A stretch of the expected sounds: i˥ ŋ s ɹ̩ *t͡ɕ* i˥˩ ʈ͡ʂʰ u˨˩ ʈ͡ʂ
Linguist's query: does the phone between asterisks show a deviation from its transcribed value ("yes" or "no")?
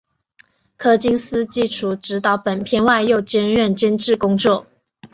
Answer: no